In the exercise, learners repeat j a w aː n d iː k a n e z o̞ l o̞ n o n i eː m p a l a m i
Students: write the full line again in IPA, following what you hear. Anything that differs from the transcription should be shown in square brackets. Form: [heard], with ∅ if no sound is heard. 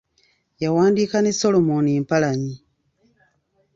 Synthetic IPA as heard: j a w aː n d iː k a n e [s] o̞ l o̞ [m] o n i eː m p a l a [ɲ] i